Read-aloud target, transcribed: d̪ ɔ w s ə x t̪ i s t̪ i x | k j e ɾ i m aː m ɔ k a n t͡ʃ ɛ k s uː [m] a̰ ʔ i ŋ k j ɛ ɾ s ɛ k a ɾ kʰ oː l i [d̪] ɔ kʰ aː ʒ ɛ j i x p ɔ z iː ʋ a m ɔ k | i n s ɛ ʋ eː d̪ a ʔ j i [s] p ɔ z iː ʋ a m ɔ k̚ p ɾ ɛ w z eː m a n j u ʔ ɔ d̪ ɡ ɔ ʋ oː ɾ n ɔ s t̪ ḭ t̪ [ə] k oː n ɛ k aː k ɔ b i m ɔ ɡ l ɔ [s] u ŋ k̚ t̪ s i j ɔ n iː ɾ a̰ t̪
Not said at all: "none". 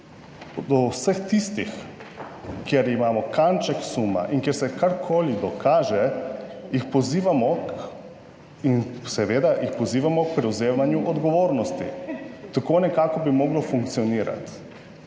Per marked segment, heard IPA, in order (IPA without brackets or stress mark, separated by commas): m, d̪, x, a, f